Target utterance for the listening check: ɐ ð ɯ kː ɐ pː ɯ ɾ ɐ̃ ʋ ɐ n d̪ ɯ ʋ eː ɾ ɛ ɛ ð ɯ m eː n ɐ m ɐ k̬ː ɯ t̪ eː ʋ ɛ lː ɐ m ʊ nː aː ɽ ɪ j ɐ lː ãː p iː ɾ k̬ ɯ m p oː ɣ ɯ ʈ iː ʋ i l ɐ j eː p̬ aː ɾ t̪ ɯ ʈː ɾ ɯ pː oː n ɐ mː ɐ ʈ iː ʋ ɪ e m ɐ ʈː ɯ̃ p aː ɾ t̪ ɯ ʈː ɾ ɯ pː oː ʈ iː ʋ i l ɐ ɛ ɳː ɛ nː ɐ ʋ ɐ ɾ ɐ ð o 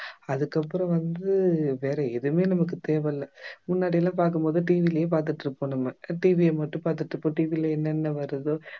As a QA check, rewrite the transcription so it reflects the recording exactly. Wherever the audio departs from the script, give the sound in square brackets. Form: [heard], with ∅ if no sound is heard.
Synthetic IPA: ɐ ð ɯ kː ɐ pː ɯ ɾ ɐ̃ ʋ ɐ n d̪ ɯ ʋ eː ɾ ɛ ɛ ð ɯ m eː n ɐ m ɐ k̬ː ɯ t̪ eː ʋ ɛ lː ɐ m ʊ nː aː ɽ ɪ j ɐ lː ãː p [aː] ɾ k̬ ɯ m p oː [ð] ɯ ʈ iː ʋ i l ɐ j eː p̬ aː ɾ t̪ ɯ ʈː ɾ ɯ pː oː n ɐ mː ɐ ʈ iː ʋ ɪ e m ɐ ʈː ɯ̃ p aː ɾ t̪ ɯ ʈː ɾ ɯ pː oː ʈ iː ʋ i l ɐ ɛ [nː] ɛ nː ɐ ʋ ɐ ɾ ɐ ð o